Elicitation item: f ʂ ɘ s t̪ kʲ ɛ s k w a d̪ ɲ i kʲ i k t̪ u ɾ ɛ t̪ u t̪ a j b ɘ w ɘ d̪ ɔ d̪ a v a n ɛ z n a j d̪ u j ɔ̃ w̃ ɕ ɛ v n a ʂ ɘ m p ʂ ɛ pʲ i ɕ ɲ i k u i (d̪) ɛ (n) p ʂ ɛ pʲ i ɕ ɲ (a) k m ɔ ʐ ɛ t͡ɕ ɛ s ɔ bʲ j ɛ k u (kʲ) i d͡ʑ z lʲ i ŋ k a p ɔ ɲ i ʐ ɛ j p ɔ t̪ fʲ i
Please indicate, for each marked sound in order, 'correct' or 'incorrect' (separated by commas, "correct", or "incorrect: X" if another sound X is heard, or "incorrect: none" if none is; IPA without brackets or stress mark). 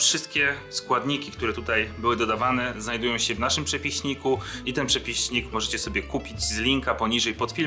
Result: incorrect: t̪, correct, incorrect: i, incorrect: pʲ